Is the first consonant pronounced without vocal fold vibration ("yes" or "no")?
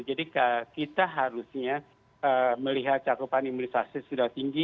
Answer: no